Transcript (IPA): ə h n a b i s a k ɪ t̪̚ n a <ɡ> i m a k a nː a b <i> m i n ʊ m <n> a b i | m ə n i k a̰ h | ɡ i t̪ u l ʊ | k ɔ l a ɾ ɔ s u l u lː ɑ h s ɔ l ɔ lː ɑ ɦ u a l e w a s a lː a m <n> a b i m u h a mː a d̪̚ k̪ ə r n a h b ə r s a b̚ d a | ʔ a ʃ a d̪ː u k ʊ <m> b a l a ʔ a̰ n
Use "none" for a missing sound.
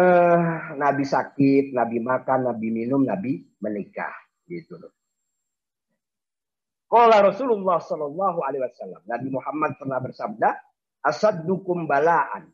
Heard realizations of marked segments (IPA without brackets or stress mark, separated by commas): b, i, n, n, m